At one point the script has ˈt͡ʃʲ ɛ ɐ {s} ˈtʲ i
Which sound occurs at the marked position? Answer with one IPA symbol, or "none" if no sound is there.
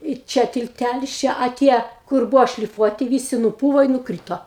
none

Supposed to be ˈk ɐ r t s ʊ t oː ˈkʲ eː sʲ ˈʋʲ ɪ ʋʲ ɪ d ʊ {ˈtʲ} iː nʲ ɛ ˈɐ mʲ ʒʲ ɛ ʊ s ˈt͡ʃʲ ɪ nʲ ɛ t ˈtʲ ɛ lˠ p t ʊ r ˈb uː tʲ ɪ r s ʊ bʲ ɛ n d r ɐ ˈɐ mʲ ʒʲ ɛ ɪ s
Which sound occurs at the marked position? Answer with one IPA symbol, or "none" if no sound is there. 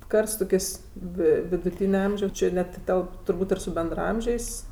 tʲ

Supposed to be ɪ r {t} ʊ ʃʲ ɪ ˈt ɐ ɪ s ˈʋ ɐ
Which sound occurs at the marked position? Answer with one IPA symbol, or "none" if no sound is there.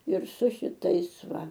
s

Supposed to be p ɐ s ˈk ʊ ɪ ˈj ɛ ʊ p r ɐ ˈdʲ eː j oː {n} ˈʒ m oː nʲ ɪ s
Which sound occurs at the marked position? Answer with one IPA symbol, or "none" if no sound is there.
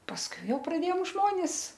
m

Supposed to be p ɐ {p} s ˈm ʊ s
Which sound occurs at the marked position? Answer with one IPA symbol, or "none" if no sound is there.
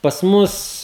none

